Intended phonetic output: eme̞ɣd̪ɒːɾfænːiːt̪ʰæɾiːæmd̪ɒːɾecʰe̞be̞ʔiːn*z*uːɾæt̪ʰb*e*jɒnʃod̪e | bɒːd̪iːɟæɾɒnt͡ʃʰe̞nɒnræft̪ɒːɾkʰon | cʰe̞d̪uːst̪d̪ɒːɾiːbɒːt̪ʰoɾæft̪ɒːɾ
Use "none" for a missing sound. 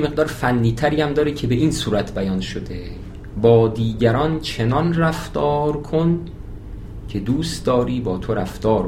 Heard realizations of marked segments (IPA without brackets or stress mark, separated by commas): s, æ